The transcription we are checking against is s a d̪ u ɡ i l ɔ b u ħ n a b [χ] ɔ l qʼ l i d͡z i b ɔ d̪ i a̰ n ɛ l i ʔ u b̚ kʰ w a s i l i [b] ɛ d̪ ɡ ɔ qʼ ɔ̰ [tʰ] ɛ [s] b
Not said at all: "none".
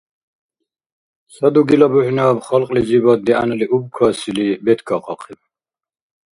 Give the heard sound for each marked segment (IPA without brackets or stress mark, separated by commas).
χ, b, qʰ, none